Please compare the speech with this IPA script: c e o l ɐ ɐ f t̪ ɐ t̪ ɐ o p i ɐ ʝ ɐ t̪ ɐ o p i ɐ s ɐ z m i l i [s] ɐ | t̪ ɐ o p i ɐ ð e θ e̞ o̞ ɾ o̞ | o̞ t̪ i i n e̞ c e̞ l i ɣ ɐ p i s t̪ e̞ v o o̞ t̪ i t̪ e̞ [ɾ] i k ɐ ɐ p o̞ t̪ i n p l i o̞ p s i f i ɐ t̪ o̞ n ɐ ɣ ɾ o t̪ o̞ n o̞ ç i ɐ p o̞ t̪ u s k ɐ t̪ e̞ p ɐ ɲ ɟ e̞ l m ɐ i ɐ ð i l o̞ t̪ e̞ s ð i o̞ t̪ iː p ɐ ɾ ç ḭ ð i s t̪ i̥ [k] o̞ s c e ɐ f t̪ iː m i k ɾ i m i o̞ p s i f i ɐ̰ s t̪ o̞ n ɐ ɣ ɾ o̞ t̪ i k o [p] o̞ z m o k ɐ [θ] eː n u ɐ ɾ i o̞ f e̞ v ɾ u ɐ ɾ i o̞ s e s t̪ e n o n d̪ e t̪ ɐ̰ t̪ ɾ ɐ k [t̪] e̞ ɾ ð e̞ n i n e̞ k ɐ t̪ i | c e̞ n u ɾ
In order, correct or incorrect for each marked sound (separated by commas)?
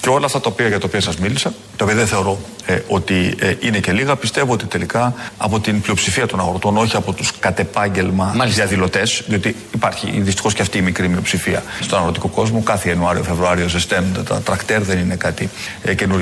correct, incorrect, incorrect, incorrect, correct, correct